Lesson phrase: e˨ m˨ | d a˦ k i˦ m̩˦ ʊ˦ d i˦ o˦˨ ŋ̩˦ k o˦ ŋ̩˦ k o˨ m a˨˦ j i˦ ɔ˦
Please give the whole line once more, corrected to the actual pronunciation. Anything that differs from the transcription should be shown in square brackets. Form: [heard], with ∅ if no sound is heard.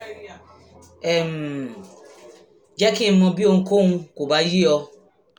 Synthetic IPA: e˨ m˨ | [d͡ʒ] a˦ k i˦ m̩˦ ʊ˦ [b] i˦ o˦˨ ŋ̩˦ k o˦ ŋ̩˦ k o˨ [b] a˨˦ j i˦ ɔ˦